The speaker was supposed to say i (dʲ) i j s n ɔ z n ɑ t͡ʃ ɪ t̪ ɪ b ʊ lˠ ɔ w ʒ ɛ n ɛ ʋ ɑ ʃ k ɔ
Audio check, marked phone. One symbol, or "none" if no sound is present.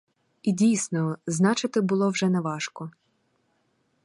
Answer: dʲ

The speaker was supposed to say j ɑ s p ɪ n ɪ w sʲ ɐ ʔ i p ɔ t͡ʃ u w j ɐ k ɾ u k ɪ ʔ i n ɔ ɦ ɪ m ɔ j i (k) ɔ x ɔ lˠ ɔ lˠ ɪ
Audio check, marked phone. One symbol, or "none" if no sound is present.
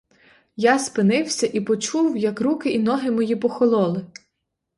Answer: p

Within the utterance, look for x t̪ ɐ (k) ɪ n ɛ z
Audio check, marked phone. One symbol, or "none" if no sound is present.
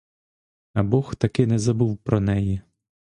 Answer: k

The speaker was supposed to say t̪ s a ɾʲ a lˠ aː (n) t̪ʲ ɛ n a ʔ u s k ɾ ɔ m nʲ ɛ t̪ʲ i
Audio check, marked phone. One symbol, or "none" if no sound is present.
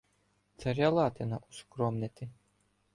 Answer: none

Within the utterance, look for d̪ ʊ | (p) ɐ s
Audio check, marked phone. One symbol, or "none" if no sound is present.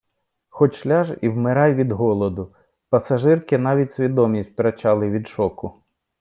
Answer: p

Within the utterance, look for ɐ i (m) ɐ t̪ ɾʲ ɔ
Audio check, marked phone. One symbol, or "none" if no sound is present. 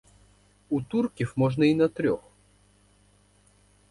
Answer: n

